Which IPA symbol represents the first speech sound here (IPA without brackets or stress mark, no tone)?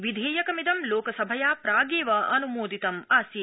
ʋ